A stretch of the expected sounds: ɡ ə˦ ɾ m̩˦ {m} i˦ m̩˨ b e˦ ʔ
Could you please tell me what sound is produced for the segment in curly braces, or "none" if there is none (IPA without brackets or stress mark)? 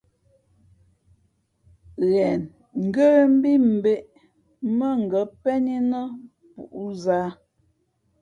b